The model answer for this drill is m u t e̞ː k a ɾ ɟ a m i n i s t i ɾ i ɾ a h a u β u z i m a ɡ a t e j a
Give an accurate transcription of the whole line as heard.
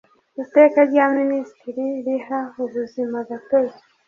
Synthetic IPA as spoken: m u t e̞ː k a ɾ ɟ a m i n i s t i ɾ i ɾ i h a u β u z i m a ɡ a t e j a